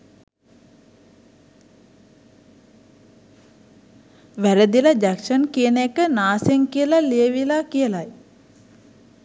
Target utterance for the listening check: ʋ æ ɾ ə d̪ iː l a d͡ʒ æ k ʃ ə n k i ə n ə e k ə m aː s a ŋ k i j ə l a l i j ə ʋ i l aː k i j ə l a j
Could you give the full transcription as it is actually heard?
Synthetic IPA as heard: ʋ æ ɾ ə d̪ i l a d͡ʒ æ k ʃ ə n k i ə n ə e k ə n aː s e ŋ k i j ə l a l i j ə ʋ i l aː k i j ə l a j